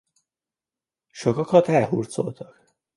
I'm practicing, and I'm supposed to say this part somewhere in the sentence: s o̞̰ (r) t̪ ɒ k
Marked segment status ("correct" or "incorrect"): incorrect